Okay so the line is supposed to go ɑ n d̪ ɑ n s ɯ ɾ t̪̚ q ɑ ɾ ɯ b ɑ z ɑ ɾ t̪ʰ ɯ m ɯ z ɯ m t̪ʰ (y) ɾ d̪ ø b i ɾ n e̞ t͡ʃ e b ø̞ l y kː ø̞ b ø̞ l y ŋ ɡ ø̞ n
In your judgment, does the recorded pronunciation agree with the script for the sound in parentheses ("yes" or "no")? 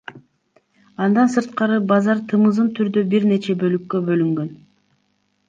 yes